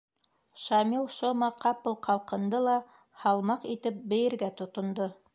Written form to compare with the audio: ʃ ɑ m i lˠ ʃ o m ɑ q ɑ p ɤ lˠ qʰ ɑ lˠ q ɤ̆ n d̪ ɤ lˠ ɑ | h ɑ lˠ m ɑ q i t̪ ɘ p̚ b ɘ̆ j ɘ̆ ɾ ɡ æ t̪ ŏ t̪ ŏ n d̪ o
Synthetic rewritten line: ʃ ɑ m i lˠ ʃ o m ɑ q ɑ p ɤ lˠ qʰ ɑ lˠ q ɤ̆ n d̪ ɤ lˠ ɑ | h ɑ lˠ m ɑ q i t̪ ɘ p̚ b ɘ̆ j ɘ̆ ɾ ɡ æ t̪ ŏ t̪ ŏ n d̪ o